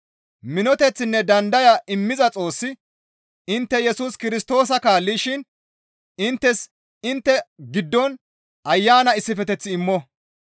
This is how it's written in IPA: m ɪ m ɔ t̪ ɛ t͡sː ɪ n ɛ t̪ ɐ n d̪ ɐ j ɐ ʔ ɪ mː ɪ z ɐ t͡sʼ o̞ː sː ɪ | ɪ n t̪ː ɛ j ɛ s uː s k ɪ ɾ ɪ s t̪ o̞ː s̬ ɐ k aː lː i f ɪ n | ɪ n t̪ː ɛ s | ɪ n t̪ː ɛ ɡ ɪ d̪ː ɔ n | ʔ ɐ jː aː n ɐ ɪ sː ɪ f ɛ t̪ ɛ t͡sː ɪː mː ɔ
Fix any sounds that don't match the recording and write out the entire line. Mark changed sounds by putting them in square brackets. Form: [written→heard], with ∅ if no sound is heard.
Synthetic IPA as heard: m ɪ [m→n] ɔ t̪ ɛ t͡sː ɪ [n→nː] ɛ [t̪→d̪] ɐ n d̪ ɐ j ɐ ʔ ɪ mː ɪ z ɐ t͡sʼ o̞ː sː ɪ | ɪ n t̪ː ɛ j ɛ s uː s k ɪ ɾ ɪ s t̪ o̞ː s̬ ɐ k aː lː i [f→ʃ] ɪ n | ɪ n t̪ː ɛ s | ɪ n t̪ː ɛ ɡ ɪ d̪ː ɔ n | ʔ ɐ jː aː n ɐ ɪ sː ɪ f ɛ t̪ ɛ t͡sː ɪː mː ɔ